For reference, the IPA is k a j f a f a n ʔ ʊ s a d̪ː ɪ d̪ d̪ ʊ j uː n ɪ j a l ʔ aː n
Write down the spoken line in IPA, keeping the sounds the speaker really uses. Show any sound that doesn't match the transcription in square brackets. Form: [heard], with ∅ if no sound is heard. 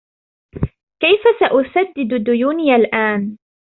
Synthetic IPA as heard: k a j f a [s] a [∅] ʔ ʊ s a d̪ː ɪ d̪ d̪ ʊ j uː n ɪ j a l ʔ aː n